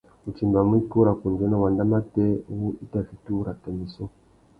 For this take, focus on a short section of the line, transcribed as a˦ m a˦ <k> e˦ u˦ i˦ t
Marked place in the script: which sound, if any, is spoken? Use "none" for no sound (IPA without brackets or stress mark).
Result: t